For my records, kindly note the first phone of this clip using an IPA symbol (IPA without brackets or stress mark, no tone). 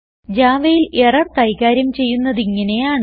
d͡ʑ